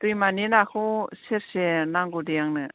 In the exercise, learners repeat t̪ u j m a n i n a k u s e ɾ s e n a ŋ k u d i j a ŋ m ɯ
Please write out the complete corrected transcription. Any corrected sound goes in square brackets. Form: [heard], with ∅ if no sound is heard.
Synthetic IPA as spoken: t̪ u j m a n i n a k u s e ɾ s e n a ŋ [ɡ] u d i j a ŋ [n] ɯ